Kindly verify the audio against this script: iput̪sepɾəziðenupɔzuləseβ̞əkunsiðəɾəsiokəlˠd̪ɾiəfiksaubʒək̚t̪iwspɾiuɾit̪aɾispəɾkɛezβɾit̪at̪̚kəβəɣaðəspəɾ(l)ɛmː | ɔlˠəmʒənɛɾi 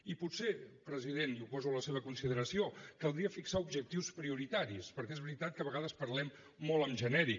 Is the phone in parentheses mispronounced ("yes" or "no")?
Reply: no